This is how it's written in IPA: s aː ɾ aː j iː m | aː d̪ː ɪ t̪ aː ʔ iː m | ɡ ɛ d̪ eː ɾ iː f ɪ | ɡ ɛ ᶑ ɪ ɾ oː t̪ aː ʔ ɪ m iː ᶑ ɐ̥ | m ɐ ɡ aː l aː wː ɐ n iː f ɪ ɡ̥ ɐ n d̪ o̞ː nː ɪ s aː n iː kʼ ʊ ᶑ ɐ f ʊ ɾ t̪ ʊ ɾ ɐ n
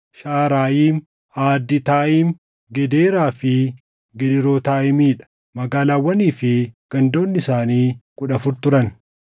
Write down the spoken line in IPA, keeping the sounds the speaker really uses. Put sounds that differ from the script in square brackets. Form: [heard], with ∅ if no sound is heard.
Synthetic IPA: [ʃ] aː ɾ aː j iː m | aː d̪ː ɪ t̪ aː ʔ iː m | ɡ ɛ d̪ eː ɾ [aː] f ɪ | ɡ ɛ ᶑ ɪ ɾ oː t̪ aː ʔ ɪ m iː ᶑ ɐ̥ | m ɐ ɡ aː l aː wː ɐ n iː f ɪ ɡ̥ ɐ n d̪ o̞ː nː ɪ s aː n iː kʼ ʊ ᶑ ɐ f ʊ ɾ t̪ ʊ ɾ ɐ n

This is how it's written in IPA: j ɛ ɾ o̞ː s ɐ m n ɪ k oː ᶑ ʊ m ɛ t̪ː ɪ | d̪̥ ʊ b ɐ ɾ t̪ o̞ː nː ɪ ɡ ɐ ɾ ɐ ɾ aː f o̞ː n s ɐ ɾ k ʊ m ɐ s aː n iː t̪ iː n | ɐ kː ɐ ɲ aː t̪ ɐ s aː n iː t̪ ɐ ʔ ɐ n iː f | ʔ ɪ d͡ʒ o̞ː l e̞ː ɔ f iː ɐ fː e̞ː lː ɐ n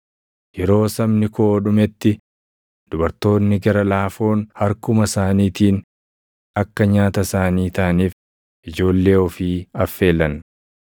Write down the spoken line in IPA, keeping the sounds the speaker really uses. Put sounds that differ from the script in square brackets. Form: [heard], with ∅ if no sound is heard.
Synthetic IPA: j ɛ ɾ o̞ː s ɐ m n ɪ k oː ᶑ ʊ m ɛ t̪ː ɪ | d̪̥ ʊ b ɐ ɾ t̪ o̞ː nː ɪ ɡ ɐ ɾ ɐ [l] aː f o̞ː n [h] ɐ ɾ k ʊ m ɐ s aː n iː t̪ iː n | ɐ kː ɐ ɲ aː t̪ ɐ s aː n iː t̪ ɐ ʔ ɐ n iː f | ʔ ɪ d͡ʒ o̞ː [lː] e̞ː ɔ f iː ɐ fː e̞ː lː ɐ n

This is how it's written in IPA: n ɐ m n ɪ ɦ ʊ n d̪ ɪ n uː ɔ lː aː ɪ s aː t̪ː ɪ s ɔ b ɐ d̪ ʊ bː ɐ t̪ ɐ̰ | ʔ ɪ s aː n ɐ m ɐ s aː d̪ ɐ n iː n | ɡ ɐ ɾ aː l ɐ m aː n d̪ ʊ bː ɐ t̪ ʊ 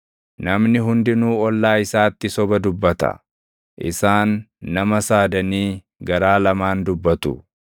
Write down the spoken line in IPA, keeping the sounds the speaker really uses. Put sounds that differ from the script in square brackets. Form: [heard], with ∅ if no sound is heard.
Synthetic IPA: n ɐ m n ɪ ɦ ʊ n d̪ ɪ n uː ɔ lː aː ɪ s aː t̪ː ɪ s ɔ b ɐ d̪ ʊ bː ɐ t̪ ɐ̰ | ʔ ɪ s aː [nː] ɐ m ɐ s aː d̪ ɐ n iː [∅] | ɡ ɐ ɾ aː l ɐ m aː n d̪ ʊ bː ɐ t̪ ʊ

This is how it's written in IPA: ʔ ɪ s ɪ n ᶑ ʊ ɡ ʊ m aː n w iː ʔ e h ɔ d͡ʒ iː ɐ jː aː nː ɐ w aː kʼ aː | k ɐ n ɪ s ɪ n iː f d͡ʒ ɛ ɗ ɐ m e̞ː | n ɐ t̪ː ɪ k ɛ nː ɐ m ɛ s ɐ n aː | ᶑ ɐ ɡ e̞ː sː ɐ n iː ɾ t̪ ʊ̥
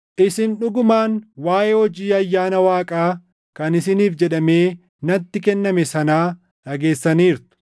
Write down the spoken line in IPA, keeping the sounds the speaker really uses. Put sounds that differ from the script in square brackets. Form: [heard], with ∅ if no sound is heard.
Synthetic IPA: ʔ ɪ s ɪ n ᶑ ʊ ɡ ʊ m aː n w [aː] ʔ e h ɔ d͡ʒ iː ɐ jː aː [n] ɐ w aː kʼ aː | k ɐ n ɪ s ɪ n iː f d͡ʒ ɛ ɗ ɐ m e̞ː | n ɐ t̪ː ɪ k ɛ nː ɐ m ɛ s ɐ n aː | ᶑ ɐ ɡ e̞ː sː ɐ n iː ɾ t̪ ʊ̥

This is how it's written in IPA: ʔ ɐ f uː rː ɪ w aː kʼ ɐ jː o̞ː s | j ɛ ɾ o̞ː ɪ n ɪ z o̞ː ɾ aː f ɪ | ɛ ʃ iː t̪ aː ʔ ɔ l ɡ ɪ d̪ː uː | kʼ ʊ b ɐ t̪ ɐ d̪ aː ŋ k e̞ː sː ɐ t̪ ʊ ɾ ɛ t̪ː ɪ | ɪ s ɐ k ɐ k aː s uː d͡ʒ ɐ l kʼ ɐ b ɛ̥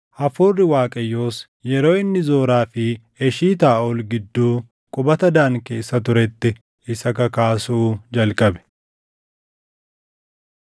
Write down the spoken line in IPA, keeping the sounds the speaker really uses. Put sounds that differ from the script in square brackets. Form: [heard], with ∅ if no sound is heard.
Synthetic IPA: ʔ ɐ f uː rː ɪ w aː kʼ ɐ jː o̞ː s | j ɛ ɾ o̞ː ɪ [nː] ɪ z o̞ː ɾ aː f ɪ | ɛ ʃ iː t̪ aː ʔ ɔ l ɡ ɪ d̪ː uː | kʼ ʊ b ɐ t̪ ɐ d̪ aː ŋ k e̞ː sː ɐ t̪ ʊ ɾ ɛ t̪ː ɪ | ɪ s ɐ k ɐ k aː s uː d͡ʒ ɐ l kʼ ɐ b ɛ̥

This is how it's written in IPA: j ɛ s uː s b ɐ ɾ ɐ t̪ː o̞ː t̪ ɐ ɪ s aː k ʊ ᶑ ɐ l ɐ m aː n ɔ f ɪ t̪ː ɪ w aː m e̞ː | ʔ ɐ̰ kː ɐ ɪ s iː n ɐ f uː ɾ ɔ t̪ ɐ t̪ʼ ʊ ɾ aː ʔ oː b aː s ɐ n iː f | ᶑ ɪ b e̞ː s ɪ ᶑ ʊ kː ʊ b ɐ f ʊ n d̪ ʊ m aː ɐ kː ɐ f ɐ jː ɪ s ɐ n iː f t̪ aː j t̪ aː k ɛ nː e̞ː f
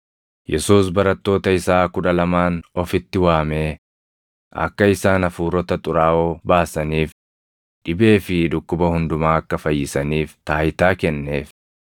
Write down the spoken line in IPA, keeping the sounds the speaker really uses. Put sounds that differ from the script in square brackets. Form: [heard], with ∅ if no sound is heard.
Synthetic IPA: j ɛ s uː s b ɐ ɾ ɐ t̪ː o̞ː t̪ ɐ ɪ s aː k ʊ ᶑ ɐ l ɐ m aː n ɔ f ɪ t̪ː ɪ w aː m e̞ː | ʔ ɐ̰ kː ɐ ɪ s [aː] n ɐ f uː ɾ ɔ t̪ ɐ t̪ʼ ʊ ɾ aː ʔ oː b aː s ɐ n iː f | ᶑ ɪ b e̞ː [f] ɪ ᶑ ʊ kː ʊ b ɐ [h] ʊ n d̪ ʊ m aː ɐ kː ɐ f ɐ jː ɪ s ɐ n iː f t̪ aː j t̪ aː k ɛ nː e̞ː f

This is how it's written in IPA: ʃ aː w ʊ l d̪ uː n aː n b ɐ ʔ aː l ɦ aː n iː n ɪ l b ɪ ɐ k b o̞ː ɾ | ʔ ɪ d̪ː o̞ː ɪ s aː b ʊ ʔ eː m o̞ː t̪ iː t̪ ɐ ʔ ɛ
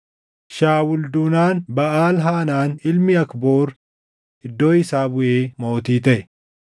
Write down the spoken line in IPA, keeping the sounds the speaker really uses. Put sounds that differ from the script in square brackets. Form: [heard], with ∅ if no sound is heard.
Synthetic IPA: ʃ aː w ʊ l d̪ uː n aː n b ɐ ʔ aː l ɦ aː n [aː] n ɪ l [m] ɪ ɐ k b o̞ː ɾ | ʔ ɪ d̪ː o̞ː ɪ s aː b ʊ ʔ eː m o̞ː t̪ iː t̪ ɐ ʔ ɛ

